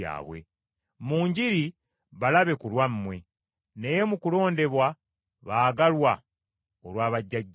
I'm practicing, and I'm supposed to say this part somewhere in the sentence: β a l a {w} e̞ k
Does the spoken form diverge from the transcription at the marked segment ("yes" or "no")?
yes